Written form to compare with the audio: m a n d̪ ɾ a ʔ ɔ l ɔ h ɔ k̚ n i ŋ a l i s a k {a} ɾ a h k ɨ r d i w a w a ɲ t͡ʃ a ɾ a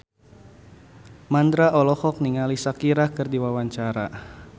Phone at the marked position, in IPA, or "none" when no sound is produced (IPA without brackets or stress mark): i